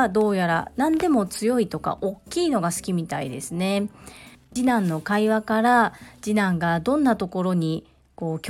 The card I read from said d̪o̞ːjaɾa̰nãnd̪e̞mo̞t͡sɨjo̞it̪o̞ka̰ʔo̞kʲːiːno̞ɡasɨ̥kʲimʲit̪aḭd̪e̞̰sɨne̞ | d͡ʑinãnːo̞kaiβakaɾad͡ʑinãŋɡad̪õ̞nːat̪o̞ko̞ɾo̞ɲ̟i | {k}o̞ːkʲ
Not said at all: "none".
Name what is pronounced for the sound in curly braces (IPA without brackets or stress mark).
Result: k